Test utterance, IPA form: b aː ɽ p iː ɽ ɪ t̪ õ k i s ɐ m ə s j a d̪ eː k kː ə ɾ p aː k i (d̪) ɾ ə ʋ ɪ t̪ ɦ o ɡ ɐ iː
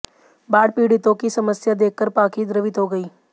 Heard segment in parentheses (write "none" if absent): d̪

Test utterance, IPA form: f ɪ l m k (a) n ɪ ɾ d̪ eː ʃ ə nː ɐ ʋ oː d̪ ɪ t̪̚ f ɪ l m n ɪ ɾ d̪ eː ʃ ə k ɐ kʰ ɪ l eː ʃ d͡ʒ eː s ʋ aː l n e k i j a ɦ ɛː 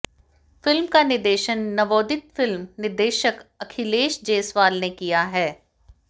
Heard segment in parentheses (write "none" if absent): a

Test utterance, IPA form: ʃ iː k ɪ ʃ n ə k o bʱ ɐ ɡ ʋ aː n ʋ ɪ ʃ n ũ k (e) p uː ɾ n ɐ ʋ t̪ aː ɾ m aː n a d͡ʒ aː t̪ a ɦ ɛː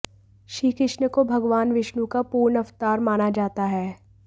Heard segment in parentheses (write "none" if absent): a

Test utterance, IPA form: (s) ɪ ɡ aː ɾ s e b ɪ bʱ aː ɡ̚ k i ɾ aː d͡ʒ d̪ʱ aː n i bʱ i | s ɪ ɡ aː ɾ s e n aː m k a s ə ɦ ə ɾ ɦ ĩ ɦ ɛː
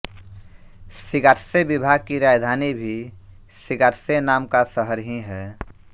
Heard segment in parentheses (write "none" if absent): s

